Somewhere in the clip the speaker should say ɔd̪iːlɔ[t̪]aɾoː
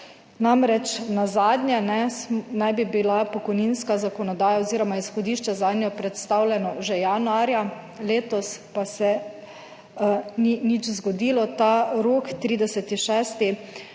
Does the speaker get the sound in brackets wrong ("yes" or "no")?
no